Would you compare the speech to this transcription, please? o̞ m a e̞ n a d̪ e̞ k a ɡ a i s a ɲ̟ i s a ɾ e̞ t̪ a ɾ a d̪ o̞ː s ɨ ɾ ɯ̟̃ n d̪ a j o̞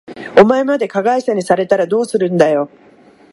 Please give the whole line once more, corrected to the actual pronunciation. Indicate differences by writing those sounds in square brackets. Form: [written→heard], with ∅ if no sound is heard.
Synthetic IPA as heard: o̞ m a e̞ [n→m] a d̪ e̞ k a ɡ a i s a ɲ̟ i s a ɾ e̞ t̪ a ɾ a d̪ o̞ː s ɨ ɾ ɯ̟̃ n d̪ a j o̞